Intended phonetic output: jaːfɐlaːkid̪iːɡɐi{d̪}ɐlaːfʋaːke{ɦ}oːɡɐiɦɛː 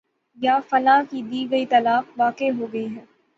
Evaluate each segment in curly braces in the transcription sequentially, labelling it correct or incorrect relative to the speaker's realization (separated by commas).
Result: incorrect, correct